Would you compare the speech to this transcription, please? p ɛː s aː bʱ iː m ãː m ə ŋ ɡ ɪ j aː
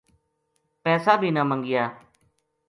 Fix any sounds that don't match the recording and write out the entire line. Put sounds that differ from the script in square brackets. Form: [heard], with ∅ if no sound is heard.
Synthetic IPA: p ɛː s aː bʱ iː [n] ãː m ə ŋ ɡ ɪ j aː